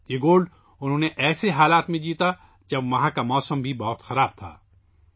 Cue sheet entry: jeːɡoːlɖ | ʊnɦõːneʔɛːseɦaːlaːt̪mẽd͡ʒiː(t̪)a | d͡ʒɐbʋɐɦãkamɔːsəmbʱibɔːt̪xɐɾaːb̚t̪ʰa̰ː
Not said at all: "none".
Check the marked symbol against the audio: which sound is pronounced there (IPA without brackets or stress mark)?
t̪